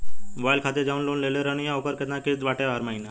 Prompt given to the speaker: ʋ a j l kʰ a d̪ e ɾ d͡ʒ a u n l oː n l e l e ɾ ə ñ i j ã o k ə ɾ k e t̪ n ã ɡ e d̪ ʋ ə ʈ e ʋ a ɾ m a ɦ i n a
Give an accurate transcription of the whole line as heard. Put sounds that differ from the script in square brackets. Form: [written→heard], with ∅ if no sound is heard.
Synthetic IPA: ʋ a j l kʰ a [d̪→t̪] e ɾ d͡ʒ a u n l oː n l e l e ɾ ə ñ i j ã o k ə ɾ k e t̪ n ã [ɡ→k] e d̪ ʋ [ə→a] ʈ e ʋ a ɾ m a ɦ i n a